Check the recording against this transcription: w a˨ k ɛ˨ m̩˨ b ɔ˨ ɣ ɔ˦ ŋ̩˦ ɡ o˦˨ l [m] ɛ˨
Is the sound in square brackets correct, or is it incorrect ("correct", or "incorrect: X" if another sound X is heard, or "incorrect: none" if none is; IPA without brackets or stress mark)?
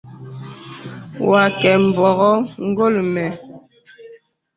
correct